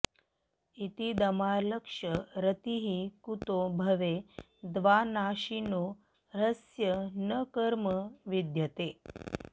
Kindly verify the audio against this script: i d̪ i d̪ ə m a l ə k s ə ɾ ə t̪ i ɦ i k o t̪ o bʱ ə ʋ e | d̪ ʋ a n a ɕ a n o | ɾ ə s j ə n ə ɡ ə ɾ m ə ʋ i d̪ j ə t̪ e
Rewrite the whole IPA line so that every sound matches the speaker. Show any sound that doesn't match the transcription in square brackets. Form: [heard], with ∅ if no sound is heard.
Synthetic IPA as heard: i [t̪] i d̪ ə m a l ə k [ʂ] ə ɾ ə t̪ i ɦ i k [u] t̪ o bʱ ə ʋ e | d̪ ʋ a n a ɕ [i] n o | ɾ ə s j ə n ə [k] ə ɾ m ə ʋ i d̪ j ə t̪ e